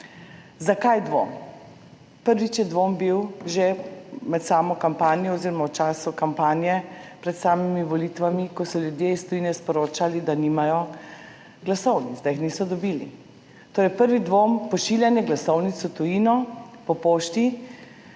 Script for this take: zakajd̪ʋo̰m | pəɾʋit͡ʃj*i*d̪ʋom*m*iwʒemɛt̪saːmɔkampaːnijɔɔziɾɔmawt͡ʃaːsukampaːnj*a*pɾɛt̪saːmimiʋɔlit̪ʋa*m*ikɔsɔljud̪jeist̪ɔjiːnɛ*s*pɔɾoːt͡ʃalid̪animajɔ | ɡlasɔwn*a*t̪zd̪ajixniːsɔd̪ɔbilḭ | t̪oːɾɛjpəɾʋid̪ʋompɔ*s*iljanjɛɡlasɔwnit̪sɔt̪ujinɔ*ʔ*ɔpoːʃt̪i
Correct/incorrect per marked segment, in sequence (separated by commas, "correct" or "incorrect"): incorrect, incorrect, incorrect, correct, correct, incorrect, incorrect, incorrect